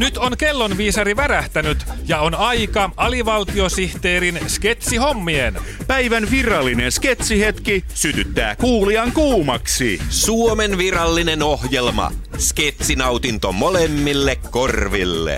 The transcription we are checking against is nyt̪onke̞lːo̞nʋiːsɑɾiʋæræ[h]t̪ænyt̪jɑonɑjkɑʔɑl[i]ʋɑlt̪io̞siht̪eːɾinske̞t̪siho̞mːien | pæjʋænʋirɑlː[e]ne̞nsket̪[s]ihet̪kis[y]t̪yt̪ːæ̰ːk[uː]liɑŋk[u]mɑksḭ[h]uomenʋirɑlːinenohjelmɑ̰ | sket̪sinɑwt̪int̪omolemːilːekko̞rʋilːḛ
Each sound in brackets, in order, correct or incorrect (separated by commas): correct, correct, incorrect, correct, correct, correct, incorrect, incorrect